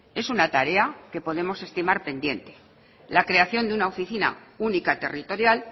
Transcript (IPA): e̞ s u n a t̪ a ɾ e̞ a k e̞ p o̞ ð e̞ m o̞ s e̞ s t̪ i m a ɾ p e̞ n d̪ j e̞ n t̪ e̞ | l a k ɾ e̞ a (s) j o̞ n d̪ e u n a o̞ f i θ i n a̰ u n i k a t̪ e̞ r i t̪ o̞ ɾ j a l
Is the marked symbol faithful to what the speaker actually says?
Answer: no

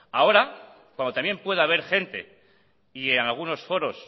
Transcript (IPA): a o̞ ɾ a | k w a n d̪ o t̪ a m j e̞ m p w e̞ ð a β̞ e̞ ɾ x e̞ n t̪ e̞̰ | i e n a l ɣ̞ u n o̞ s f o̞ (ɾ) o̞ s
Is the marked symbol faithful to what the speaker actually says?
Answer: yes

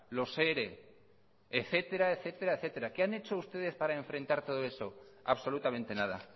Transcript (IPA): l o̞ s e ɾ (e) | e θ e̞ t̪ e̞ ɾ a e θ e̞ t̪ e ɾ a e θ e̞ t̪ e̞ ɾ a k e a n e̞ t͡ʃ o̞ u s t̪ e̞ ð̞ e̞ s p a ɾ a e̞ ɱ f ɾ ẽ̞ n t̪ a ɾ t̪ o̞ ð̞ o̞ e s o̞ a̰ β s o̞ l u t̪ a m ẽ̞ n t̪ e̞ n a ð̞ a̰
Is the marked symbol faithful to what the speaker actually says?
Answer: yes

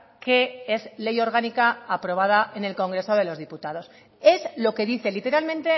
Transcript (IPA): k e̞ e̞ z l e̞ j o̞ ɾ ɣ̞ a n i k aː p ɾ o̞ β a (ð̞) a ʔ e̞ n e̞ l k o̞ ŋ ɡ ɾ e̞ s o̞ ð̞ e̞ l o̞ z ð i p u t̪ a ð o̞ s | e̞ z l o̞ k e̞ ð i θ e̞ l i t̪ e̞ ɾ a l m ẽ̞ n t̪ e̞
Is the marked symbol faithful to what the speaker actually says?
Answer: yes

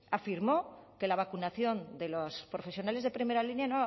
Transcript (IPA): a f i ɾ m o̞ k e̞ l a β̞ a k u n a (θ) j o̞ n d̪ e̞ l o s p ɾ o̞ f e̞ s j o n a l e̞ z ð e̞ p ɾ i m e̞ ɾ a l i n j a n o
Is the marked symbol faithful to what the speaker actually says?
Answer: yes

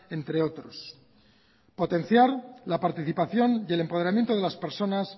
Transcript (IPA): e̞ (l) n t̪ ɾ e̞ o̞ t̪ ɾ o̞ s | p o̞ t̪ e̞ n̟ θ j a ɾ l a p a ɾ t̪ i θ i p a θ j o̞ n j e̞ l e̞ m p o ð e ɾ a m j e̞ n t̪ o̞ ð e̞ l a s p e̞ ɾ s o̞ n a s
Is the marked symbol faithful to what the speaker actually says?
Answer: no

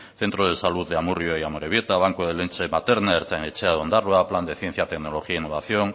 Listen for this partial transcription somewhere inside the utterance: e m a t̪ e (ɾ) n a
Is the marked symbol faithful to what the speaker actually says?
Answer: yes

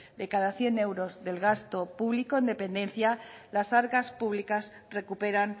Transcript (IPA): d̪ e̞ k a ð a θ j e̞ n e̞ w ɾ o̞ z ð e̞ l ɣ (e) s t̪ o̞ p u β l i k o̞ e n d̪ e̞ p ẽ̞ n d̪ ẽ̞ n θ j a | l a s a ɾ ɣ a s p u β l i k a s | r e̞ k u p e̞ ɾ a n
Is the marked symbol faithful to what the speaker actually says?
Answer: no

